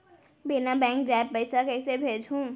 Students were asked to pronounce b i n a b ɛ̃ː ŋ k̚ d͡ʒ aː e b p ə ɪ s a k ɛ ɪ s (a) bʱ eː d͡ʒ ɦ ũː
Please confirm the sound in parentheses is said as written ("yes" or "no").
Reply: no